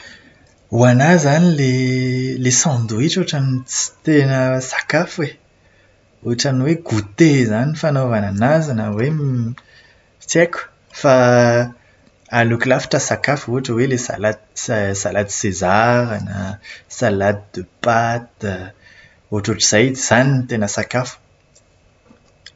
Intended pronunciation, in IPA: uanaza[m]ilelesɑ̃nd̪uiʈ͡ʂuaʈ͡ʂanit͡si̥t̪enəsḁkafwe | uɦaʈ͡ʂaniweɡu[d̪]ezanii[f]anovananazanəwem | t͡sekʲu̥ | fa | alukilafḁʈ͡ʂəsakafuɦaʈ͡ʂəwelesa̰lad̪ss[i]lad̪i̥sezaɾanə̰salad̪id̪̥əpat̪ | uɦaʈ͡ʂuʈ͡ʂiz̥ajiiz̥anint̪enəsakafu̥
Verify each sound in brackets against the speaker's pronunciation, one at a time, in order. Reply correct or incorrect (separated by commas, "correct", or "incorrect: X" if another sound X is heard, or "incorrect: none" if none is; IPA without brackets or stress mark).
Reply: incorrect: n, incorrect: t̪, correct, incorrect: a